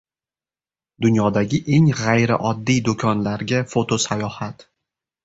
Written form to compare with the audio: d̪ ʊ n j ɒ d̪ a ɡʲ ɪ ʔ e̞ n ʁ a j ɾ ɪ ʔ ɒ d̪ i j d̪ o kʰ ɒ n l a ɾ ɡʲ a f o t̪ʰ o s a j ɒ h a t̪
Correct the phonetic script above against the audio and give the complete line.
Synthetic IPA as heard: d̪ ʊ n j ɒ d̪ a ɡʲ ɪ ʔ e̞ ŋ ʁ a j ɾ ɪ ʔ ɒ d̪ː i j d̪ o kʰ ɒ n l a ɾ ɡʲ a f o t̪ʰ o s a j ɒ h a t̪